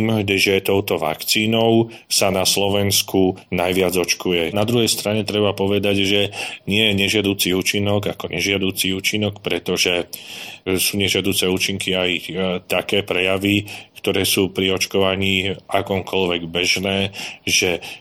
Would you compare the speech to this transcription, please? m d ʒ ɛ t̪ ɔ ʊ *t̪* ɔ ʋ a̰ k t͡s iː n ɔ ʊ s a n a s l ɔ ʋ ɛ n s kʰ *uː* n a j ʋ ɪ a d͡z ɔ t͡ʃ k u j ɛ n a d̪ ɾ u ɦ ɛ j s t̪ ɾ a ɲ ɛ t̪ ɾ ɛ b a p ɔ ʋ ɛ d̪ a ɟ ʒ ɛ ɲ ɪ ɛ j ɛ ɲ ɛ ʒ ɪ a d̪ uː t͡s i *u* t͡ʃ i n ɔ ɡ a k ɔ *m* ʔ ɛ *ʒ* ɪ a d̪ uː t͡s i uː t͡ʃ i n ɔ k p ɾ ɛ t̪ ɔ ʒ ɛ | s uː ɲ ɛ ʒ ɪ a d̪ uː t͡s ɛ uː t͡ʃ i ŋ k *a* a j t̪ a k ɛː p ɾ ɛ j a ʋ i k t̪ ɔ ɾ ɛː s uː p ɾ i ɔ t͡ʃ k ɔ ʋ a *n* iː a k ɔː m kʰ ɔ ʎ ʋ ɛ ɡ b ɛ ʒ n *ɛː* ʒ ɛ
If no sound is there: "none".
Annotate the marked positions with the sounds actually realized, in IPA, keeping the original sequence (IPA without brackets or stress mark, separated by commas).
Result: t̪, u, uː, ɲ, ʒ, i, ɲ, ɛː